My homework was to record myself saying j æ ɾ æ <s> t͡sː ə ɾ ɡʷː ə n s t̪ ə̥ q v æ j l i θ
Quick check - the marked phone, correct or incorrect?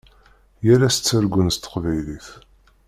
correct